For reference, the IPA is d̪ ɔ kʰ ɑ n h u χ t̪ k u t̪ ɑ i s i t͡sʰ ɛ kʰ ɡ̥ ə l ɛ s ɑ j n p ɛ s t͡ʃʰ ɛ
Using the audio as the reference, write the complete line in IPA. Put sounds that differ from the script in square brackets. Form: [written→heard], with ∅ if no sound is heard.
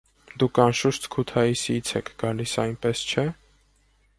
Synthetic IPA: d̪ [ɔ→u] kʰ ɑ n [h→ʃ] u [χ→ʃ] t̪ [k→kʰ] u [t̪→t̪ʰ] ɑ i s i t͡sʰ ɛ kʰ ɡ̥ [ə→ɑ] l [ɛ→i] s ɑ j n p ɛ s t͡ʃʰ ɛ